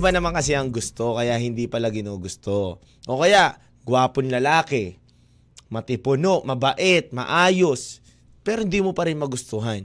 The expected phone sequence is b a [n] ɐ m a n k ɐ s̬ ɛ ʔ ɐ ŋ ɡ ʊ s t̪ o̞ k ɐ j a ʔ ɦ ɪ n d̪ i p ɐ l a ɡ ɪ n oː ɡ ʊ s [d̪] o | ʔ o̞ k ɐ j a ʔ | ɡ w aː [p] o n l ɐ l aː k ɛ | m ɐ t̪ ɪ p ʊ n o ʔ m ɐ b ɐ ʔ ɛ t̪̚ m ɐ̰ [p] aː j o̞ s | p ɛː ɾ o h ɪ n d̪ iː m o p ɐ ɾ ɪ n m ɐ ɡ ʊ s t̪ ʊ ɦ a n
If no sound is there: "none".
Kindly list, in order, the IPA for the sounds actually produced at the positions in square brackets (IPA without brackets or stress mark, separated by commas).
n, t̪, p, ʔ